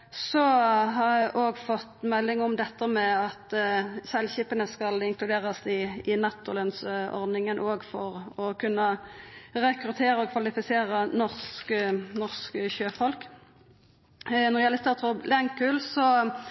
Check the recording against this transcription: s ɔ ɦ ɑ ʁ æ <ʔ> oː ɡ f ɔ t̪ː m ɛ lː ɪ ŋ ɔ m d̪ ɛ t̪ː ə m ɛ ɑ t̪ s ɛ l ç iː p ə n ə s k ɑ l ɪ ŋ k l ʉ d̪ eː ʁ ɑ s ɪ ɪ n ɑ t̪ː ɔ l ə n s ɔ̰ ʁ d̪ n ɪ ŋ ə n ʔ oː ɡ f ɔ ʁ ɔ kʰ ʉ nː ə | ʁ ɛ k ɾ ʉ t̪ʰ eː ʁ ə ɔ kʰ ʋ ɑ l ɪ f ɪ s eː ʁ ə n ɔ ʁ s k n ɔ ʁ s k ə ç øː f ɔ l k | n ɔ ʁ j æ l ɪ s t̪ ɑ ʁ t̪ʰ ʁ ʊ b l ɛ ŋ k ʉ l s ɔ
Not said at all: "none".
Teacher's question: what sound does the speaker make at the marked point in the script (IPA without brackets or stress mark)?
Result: ʔ